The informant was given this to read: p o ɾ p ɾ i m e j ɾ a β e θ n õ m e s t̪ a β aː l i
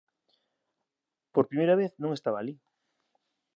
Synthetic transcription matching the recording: p o ɾ p ɾ i m e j ɾ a β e θ n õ ŋ e s t̪ a β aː l i